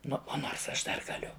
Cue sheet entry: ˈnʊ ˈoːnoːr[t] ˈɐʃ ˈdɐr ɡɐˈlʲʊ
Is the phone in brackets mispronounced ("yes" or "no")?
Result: yes